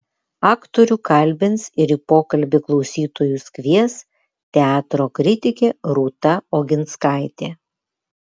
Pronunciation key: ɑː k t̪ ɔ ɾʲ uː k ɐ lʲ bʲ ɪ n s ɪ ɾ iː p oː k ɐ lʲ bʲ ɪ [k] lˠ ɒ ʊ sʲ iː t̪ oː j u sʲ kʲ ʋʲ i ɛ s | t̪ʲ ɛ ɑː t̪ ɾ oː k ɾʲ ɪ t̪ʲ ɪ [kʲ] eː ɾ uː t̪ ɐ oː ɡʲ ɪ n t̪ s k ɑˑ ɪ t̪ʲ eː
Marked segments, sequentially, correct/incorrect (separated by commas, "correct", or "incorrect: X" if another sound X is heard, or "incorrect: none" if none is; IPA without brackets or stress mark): correct, correct